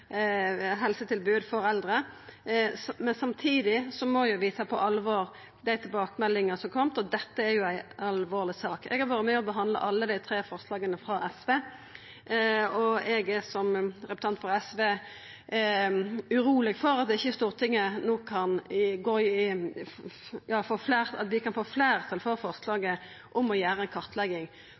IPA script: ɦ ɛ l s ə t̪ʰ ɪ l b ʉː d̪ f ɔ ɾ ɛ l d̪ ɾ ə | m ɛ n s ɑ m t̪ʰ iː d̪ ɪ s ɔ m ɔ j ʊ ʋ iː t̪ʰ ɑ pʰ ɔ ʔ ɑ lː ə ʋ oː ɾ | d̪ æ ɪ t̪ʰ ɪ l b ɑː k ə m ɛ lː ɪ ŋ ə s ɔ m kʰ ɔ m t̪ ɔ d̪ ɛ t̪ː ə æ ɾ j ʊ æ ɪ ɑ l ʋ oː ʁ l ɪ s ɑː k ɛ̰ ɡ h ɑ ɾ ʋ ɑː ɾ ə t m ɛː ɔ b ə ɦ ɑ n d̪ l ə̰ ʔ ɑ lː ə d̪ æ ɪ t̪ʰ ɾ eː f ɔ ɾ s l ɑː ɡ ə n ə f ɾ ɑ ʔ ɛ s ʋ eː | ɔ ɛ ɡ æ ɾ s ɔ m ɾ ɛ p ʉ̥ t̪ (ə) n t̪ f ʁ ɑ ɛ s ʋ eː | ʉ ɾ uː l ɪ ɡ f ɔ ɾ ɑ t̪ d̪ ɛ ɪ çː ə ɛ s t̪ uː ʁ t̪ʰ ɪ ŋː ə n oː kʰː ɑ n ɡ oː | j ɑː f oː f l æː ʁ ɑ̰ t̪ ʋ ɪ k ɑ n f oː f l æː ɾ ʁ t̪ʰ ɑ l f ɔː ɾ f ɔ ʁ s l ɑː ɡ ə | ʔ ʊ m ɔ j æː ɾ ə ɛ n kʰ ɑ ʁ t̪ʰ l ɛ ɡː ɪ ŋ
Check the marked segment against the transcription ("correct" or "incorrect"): incorrect